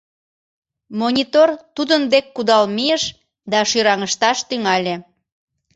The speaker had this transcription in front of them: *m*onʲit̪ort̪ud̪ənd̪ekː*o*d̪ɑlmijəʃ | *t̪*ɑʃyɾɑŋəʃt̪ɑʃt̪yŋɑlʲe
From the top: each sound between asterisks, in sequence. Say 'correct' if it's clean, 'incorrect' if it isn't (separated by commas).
correct, incorrect, incorrect